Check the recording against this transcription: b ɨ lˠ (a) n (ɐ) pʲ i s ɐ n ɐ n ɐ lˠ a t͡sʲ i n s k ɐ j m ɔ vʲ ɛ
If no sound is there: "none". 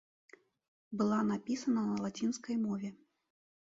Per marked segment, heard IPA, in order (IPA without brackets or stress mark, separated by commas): a, a